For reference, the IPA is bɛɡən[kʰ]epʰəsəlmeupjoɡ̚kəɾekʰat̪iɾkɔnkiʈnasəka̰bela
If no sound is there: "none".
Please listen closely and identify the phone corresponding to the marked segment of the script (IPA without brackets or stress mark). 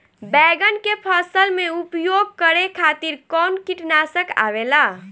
k